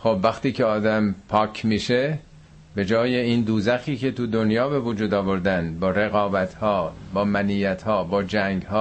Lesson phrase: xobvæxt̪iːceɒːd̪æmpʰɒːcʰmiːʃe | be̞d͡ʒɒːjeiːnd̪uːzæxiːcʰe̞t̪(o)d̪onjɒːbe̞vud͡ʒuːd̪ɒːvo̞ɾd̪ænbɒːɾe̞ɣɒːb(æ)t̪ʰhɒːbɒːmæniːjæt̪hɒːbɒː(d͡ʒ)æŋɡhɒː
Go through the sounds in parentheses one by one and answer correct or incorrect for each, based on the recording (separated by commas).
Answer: incorrect, correct, correct